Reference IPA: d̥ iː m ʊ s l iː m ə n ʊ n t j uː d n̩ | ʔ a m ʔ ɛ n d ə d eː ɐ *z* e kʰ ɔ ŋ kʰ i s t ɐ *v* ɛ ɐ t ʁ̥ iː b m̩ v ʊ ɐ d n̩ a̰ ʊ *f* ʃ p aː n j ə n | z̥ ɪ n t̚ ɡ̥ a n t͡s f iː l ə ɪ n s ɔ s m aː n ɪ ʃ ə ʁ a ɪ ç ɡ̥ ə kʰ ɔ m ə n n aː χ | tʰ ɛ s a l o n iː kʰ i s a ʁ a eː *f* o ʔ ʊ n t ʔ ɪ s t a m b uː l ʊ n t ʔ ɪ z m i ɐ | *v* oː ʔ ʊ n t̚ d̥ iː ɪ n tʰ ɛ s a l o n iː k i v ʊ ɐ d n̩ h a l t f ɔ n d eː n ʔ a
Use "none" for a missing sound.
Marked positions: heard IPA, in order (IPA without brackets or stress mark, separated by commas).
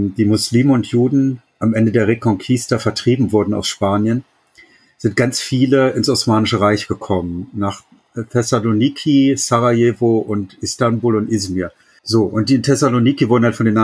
ʁ, f, s, v, z